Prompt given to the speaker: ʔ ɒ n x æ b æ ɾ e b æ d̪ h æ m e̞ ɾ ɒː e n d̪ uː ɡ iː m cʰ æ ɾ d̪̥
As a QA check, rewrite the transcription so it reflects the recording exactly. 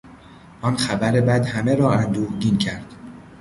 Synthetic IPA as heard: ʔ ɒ n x æ b æ ɾ e b æ d̪ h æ m e̞ ɾ ɒː æ n d̪ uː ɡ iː n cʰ æ ɾ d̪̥